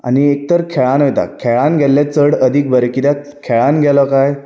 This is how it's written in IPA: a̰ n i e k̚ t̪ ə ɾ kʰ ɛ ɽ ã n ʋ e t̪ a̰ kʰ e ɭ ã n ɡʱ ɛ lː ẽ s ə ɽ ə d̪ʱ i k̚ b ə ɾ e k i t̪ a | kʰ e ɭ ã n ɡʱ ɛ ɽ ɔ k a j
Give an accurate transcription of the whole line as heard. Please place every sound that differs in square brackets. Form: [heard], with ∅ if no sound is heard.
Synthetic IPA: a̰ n i e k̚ t̪ ə ɾ kʰ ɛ [ɭ] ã n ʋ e t̪ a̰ kʰ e ɭ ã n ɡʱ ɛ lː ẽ [t͡s] ə ɽ ə d̪ʱ i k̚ b ə ɾ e k i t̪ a | kʰ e ɭ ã n ɡʱ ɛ [l] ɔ k a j